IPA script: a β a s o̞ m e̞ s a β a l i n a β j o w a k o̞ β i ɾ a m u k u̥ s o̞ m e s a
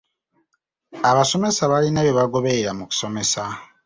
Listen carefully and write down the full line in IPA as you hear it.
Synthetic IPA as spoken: a β a s o̞ m e̞ s a β a l i n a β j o β a ɡ o̞ β e ɾ a m u k u̥ s o̞ m e s a